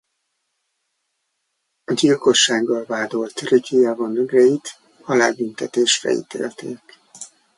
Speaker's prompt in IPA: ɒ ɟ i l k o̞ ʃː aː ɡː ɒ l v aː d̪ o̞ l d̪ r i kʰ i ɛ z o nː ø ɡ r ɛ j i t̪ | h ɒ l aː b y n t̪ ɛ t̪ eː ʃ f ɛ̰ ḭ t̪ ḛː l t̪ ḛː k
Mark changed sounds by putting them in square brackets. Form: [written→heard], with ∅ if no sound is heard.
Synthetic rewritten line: ɒ ɟ i l k o̞ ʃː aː ɡː ɒ l v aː d̪ o̞ l [d̪→t̪] r i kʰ i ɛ [z→v] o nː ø ɡ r ɛ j i t̪ | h ɒ l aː b y n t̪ ɛ t̪ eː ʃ f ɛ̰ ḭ t̪ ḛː l t̪ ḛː k

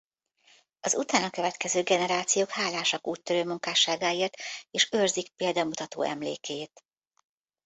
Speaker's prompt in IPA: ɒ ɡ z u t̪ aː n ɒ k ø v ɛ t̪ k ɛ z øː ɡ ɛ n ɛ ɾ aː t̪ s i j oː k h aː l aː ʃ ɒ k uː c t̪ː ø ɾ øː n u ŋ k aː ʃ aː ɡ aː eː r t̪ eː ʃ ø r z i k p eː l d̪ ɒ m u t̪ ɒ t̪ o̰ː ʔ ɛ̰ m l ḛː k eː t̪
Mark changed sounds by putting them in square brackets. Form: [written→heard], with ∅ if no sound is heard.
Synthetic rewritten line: ɒ [ɡ→∅] z u t̪ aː n ɒ k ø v ɛ t̪ k ɛ z øː ɡ ɛ n ɛ ɾ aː t̪ s i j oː k h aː l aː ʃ ɒ k uː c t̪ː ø ɾ øː [n→m] u ŋ k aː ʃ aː ɡ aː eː r t̪ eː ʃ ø r z i k p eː l d̪ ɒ m u t̪ ɒ t̪ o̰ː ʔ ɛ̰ m l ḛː k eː t̪

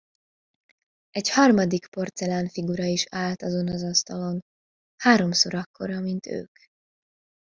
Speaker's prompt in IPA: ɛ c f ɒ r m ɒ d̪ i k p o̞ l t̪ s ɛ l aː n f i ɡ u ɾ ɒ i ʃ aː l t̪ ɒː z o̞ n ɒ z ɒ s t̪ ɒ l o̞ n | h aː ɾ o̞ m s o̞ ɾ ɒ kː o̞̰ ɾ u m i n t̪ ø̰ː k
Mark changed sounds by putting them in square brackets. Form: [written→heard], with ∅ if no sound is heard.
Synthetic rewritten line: ɛ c [f→h] ɒ r m ɒ d̪ i k p o̞ [l→r] t̪ s ɛ l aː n f i ɡ u ɾ ɒ i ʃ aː l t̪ [ɒː→ɒ] z o̞ n ɒ z ɒ s t̪ ɒ l o̞ n | h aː ɾ o̞ m s o̞ ɾ ɒ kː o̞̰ ɾ [u→ɒ] m i n t̪ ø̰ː k

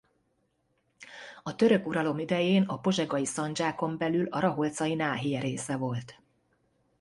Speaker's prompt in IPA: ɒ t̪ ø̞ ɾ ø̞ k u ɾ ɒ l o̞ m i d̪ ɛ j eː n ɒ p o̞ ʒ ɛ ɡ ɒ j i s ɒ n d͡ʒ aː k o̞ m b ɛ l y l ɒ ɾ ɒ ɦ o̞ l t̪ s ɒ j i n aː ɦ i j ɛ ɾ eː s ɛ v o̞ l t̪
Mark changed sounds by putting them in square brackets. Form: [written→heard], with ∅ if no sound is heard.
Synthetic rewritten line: ɒ t̪ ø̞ ɾ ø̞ k u ɾ ɒ l o̞ m i d̪ ɛ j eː n ɒ p o̞ ʒ ɛ ɡ ɒ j i s ɒ n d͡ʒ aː k o̞ m b ɛ l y l ɒ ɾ ɒ ɦ o̞ l t̪ s ɒ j i n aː ɦ i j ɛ ɾ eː s ɛ v o̞ l t̪

